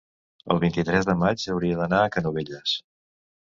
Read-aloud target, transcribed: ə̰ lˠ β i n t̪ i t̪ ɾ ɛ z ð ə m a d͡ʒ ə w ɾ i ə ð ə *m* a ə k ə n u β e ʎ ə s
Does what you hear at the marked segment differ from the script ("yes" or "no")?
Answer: yes